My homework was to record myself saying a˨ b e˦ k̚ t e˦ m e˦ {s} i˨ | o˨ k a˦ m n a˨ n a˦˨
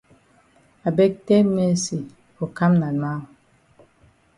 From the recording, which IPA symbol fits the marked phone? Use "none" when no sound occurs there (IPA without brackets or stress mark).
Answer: s